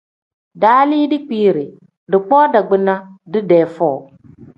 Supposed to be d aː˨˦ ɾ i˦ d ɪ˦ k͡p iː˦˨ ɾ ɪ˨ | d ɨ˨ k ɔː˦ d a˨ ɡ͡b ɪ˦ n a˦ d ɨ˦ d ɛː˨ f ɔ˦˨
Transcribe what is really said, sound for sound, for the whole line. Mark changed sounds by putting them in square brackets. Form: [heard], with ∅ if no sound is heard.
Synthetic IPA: d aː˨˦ [l] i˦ d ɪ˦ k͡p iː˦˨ ɾ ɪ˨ | d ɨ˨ [k͡p] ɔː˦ d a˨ ɡ͡b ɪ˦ n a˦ d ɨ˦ d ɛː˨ f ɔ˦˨